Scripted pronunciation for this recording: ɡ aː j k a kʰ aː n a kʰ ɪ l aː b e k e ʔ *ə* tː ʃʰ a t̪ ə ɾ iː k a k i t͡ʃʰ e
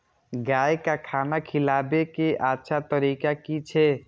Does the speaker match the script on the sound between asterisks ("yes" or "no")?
no